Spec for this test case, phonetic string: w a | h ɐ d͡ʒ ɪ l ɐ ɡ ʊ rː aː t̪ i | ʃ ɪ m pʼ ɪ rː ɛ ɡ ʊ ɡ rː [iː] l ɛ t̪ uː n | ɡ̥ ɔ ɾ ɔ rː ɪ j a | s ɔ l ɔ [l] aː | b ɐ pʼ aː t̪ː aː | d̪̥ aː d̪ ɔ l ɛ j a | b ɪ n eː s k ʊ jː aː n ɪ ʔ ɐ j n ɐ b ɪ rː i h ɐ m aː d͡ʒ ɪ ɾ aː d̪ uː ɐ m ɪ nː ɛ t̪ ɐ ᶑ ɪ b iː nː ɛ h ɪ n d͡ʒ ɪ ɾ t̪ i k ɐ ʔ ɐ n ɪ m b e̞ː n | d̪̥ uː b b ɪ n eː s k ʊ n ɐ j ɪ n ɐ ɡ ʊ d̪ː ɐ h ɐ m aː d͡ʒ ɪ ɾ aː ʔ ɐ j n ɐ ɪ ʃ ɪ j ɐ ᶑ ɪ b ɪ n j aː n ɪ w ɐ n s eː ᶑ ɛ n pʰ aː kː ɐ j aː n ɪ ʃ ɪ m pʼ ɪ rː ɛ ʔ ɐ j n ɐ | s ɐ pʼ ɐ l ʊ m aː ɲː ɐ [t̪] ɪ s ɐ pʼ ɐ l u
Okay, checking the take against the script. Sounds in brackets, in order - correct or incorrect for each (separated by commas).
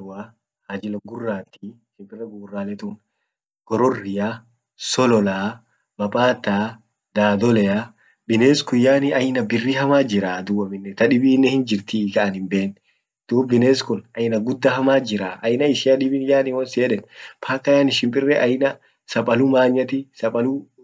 incorrect, correct, correct